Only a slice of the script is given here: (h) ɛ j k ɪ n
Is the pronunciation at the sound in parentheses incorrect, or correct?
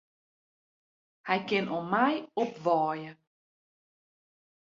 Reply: correct